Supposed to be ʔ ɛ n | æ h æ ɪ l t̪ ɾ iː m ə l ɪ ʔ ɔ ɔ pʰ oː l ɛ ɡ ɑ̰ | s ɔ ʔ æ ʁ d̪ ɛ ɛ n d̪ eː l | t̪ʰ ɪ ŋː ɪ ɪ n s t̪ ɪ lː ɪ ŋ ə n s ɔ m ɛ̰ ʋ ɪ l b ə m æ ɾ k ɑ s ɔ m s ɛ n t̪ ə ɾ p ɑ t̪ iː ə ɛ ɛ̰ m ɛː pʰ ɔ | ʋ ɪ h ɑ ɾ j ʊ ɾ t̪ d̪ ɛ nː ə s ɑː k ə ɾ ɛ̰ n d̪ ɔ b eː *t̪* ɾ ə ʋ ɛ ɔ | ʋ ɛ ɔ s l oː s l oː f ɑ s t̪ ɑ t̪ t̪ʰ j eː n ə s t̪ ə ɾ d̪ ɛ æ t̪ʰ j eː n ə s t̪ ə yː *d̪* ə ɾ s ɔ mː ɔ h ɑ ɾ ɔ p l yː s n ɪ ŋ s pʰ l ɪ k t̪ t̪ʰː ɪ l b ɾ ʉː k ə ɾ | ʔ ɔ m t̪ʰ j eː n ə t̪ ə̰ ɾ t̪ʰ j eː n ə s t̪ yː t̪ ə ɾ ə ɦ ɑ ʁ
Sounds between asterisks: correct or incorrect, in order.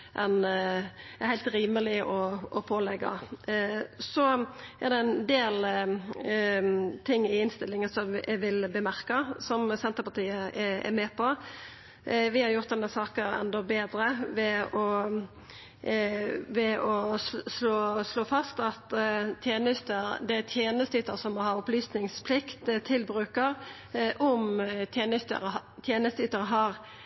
incorrect: d̪, incorrect: t̪

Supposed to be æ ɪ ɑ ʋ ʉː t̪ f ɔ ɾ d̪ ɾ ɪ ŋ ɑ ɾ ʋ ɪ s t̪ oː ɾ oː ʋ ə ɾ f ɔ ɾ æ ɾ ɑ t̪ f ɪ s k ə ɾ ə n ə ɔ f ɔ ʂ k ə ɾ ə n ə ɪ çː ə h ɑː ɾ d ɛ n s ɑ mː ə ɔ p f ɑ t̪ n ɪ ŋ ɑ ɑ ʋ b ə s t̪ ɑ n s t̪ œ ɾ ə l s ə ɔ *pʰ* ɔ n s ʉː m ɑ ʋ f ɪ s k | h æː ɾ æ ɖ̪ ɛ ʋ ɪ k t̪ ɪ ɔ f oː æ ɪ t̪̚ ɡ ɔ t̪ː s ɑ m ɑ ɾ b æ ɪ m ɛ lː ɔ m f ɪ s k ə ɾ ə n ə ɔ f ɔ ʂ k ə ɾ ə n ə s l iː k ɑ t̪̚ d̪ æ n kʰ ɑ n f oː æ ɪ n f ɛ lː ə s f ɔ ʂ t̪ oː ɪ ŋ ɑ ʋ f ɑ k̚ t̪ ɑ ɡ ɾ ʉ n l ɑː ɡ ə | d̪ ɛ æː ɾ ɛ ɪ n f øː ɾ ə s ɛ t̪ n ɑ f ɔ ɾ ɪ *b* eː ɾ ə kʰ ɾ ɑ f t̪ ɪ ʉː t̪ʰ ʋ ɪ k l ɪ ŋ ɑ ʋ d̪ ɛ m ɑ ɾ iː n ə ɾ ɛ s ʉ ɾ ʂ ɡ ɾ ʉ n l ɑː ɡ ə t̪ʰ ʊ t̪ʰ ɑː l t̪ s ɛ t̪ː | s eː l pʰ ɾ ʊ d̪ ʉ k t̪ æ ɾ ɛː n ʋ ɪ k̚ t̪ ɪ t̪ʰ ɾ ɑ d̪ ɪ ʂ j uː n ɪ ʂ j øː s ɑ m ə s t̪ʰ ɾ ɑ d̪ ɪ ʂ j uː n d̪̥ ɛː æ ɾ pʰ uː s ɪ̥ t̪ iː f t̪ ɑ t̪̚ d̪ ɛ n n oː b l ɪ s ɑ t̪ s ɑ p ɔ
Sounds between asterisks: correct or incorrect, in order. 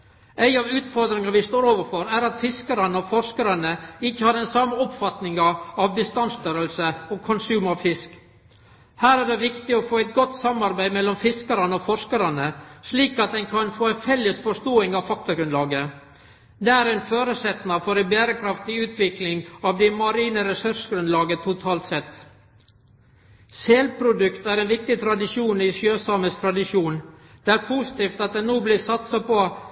incorrect: kʰ, correct

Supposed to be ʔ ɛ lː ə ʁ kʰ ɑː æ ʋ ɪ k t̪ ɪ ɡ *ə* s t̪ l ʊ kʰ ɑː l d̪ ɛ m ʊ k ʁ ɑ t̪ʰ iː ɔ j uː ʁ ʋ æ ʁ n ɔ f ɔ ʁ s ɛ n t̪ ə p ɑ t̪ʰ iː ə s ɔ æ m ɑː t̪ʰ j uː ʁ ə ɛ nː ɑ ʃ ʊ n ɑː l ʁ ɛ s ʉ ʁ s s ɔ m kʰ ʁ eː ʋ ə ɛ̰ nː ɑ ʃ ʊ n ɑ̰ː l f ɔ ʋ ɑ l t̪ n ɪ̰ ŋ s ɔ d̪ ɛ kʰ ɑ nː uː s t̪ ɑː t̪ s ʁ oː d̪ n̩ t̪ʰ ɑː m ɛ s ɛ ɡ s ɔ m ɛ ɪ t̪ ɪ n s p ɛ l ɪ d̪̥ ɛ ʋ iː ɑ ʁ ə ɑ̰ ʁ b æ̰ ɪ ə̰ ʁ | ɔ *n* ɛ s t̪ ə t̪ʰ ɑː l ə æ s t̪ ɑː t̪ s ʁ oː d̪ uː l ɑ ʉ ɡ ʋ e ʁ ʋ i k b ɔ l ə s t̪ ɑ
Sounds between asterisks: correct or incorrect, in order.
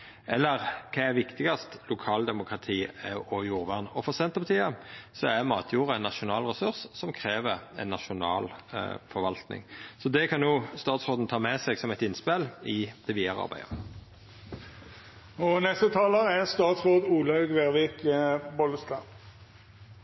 incorrect: ɑ, correct

